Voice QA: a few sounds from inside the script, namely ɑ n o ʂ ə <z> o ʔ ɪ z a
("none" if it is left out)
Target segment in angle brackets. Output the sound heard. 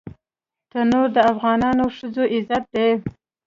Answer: z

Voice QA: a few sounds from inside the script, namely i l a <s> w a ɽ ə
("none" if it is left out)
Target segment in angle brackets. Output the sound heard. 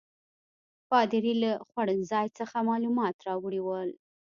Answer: x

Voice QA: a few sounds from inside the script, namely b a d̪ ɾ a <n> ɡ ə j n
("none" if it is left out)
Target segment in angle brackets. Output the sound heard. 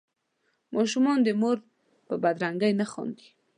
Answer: ŋ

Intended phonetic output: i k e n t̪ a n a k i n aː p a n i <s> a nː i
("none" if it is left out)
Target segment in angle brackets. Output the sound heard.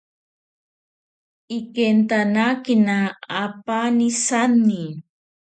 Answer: s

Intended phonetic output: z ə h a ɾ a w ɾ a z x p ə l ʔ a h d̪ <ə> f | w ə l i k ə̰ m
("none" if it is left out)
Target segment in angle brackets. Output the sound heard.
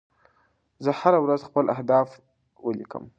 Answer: ɑ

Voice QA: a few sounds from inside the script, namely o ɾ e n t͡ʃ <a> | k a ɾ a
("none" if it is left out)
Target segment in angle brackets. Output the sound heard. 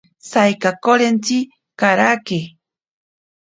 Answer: i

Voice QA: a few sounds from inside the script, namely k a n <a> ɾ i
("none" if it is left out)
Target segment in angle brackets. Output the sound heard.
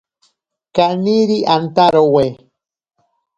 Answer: i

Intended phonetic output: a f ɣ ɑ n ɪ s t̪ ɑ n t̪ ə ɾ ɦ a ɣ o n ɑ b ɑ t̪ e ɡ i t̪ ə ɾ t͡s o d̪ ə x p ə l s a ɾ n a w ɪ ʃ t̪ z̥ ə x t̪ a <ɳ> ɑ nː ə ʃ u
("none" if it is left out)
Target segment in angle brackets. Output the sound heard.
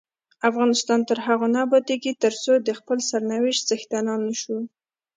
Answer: n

